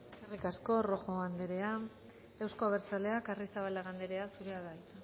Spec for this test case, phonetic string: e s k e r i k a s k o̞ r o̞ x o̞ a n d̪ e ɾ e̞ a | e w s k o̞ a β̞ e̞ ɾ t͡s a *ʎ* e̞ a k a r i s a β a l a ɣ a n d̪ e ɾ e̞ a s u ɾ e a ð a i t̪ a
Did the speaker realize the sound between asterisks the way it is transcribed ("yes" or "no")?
no